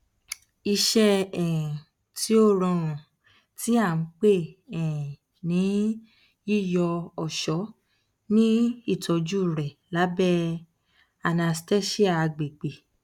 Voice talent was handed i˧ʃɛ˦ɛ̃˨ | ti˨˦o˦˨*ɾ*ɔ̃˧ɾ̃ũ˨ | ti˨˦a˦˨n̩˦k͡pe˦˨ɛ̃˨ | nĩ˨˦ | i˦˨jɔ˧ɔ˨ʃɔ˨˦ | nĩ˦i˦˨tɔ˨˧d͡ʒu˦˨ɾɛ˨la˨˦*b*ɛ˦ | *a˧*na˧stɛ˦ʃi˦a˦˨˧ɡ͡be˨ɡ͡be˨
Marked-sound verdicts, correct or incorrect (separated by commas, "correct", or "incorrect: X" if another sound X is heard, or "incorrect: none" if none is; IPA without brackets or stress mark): correct, correct, correct